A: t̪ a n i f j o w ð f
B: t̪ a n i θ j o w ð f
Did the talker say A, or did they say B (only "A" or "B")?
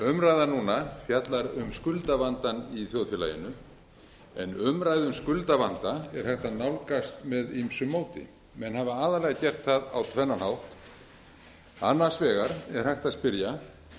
B